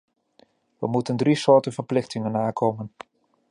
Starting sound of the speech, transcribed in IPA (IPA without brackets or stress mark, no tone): ʋ